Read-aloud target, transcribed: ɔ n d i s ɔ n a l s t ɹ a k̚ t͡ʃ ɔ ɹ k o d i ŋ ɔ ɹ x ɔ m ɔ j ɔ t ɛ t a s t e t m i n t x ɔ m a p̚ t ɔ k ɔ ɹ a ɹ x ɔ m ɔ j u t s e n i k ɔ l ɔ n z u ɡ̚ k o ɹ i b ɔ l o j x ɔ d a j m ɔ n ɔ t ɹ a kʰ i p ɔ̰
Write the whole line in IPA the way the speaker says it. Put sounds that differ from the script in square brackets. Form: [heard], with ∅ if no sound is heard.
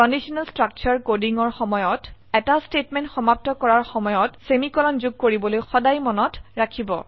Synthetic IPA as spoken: ɔ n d i s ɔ n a l s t ɹ a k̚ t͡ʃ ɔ ɹ k o d i ŋ ɔ ɹ x ɔ m ɔ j ɔ t ɛ t a s t e t m [ɛ] n t x ɔ m a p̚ t ɔ k ɔ ɹ a ɹ x ɔ m ɔ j [ɔ] t s e [m] i k ɔ l ɔ n z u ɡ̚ k o ɹ i b ɔ l o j x ɔ d a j m ɔ n ɔ t ɹ a kʰ i [b] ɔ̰

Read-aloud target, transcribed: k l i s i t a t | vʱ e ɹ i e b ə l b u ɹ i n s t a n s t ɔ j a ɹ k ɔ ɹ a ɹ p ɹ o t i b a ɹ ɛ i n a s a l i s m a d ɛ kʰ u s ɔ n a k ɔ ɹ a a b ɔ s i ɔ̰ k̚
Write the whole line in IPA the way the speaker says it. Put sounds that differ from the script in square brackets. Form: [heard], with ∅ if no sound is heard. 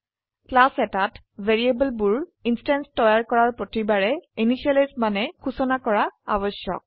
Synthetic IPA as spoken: k l [a] s [ɛ] t a t | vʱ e ɹ i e b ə l b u ɹ i n s t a n s t ɔ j a ɹ k ɔ ɹ a ɹ p ɹ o t i b a ɹ ɛ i n [i] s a l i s m a [n] ɛ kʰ u s ɔ n a k ɔ ɹ a a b ɔ s [j] ɔ̰ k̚

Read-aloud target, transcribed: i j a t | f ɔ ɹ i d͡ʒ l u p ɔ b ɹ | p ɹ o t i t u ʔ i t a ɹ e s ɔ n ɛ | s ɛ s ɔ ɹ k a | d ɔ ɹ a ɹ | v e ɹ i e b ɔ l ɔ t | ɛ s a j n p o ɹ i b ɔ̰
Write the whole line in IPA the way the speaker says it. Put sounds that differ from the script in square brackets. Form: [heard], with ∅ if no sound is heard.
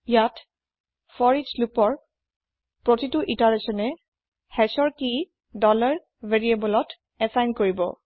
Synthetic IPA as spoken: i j a t | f ɔ ɹ i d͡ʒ l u p ɔ [∅] ɹ | p ɹ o t i t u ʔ i t a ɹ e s ɔ n ɛ | [h] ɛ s ɔ ɹ k [i] | d ɔ [l] a ɹ | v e ɹ i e b ɔ l ɔ t | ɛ s a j n [k] o ɹ i b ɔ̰

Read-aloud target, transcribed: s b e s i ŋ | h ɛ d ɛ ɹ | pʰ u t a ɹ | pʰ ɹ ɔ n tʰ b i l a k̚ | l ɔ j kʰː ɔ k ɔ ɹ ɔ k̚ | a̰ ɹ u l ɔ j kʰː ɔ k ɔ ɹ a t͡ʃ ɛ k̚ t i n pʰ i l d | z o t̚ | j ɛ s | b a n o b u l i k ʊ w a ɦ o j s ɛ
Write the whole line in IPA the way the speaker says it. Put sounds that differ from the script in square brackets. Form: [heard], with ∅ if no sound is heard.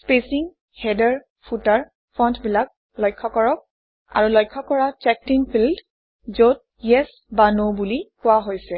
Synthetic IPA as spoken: s [p] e s i ŋ | h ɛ d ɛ ɹ | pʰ u t a ɹ | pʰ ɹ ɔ n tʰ b i l a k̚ | l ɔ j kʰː ɔ k ɔ ɹ ɔ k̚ | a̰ ɹ u l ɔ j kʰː ɔ k ɔ ɹ a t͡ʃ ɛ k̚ t i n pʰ i l d | z o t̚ | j ɛ s | b a n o b u l i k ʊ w a ɦ o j s ɛ

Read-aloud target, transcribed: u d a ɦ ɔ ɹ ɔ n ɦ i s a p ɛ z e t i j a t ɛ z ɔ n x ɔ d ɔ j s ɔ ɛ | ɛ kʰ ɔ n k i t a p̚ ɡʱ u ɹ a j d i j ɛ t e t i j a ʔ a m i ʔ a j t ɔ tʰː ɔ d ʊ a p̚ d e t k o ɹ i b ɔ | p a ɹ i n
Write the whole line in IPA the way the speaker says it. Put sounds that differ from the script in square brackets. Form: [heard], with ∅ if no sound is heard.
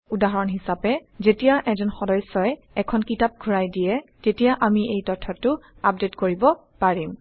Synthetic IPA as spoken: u d a ɦ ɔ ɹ ɔ n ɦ i s a p ɛ z e t i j a [ʔ] ɛ z ɔ n x ɔ d ɔ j s ɔ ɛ | ɛ kʰ ɔ n k i t a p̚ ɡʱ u ɹ a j d i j ɛ t e t i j a ʔ a m i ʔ [e] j t ɔ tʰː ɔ [t] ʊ a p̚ d e t k o ɹ i b ɔ | p a ɹ i [m]

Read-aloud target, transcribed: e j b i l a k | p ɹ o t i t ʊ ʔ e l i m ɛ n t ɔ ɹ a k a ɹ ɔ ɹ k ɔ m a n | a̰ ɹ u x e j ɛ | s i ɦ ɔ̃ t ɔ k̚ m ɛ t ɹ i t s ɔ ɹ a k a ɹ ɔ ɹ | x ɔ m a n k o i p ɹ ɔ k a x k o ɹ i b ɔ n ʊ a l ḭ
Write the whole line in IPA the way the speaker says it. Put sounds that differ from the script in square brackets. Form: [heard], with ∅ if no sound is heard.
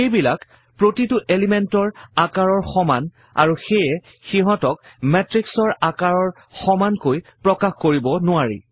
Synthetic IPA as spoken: e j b i l a k | p ɹ o t i t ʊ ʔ e l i m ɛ n t ɔ ɹ a k a ɹ ɔ ɹ [x] ɔ m a n | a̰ ɹ u x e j ɛ | [x] i ɦ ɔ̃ t ɔ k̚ m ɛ t ɹ i [k] s ɔ ɹ a k a ɹ ɔ ɹ | x ɔ m a n k o [j] p ɹ ɔ k a x k o ɹ i b ɔ n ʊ a [ɹ] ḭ

